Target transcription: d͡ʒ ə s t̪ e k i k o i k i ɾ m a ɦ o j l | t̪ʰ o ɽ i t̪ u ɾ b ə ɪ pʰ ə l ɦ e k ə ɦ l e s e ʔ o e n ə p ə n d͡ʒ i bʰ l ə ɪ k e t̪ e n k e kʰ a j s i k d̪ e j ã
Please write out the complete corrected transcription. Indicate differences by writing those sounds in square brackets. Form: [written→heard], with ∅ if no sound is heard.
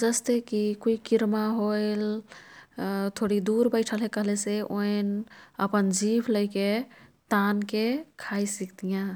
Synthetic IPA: d͡ʒ ə s t̪ e k i k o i k i ɾ m a ɦ o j l | t̪ʰ o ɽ i [t̪→d̪] u ɾ b ə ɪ [pʰ→ʈʰ] ə l ɦ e k ə ɦ l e s e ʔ o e n ə p ə n d͡ʒ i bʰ l ə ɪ k e t̪ [e→a] n k e kʰ a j s i k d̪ [e→i] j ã